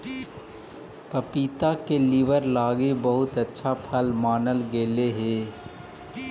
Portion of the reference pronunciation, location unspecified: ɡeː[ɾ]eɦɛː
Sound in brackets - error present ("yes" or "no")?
yes